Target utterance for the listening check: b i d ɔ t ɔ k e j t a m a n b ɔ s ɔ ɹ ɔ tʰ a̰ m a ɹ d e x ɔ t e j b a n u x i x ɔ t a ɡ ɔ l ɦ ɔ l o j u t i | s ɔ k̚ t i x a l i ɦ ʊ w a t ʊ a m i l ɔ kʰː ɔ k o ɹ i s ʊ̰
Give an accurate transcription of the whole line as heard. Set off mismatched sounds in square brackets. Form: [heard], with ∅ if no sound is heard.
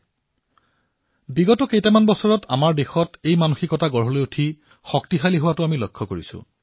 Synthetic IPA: b i [ɡ] ɔ t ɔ k e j t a m a n b ɔ s ɔ ɹ ɔ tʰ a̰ m a ɹ d e x ɔ t e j [m] a n u x i [k] ɔ t a ɡ ɔ [ɹ] ɦ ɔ l o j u [tʰ] i | [x] ɔ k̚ t i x a l i ɦ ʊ w a t ʊ a m i l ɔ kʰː ɔ k o ɹ i s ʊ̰